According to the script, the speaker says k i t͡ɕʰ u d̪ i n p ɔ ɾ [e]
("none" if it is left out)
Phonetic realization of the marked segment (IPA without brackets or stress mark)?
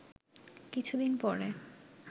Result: e